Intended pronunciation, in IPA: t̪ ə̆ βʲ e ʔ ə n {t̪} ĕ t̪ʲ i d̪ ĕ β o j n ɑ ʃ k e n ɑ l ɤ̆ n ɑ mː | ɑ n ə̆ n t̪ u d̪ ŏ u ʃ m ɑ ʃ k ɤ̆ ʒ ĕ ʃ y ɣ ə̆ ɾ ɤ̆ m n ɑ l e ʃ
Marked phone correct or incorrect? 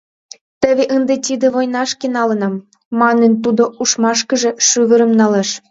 incorrect